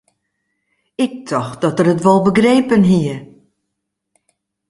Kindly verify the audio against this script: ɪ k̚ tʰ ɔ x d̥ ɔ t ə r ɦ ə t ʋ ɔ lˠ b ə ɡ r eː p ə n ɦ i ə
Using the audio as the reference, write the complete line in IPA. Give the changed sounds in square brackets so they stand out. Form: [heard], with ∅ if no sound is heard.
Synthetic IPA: ɪ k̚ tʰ ɔ x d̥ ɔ t ə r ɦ ə t ʋ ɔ lˠ b ə ɡ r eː p ə n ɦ i ə